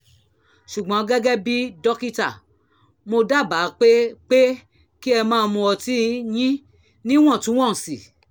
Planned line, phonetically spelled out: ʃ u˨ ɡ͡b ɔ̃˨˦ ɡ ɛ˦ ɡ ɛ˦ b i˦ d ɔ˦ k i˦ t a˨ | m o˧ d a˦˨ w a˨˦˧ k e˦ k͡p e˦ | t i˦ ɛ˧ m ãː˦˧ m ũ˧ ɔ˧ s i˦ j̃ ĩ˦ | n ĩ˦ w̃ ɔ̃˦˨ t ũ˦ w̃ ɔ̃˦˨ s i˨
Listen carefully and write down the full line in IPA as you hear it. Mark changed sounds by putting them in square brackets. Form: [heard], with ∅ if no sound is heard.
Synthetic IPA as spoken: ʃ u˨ ɡ͡b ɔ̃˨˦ ɡ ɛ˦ ɡ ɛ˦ b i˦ d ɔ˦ k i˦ t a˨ | m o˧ d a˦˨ [b] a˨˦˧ [k͡p] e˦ k͡p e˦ | [k] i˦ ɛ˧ m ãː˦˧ m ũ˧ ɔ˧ [t] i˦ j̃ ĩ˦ | n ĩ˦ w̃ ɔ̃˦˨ t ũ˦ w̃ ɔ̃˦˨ s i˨